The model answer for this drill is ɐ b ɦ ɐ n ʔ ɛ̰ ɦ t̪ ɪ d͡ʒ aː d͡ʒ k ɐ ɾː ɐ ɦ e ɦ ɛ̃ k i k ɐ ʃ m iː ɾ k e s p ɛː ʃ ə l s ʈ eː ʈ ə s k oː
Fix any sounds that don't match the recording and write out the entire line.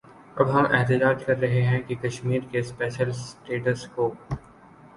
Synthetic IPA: ɐ b ɦ ɐ m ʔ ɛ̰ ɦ t̪ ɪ d͡ʒ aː d͡ʒ k ɐ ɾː ɐ ɦ e ɦ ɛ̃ k i k ɐ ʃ m iː ɾ k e s p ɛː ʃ ə l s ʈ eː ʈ ə s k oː